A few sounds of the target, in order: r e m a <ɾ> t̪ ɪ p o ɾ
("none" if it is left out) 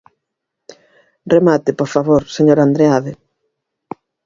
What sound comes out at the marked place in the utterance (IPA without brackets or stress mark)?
none